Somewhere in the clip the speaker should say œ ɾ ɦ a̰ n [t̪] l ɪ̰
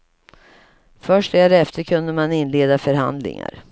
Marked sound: incorrect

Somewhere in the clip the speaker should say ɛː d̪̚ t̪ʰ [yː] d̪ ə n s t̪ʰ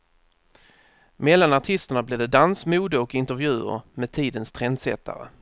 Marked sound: incorrect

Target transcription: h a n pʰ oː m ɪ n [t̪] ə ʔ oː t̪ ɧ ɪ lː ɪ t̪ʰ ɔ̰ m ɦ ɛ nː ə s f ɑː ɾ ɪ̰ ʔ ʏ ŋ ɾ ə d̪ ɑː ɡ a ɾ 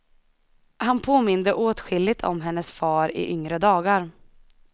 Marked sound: incorrect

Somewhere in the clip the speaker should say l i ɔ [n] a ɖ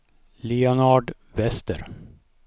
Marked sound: correct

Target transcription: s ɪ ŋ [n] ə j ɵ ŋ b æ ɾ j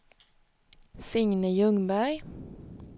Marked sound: correct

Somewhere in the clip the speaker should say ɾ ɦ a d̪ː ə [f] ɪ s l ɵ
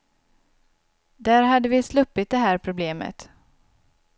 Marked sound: incorrect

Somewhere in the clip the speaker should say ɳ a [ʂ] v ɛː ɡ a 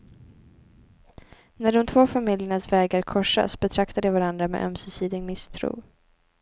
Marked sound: incorrect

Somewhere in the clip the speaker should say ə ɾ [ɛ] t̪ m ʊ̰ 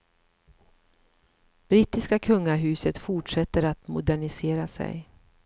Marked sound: incorrect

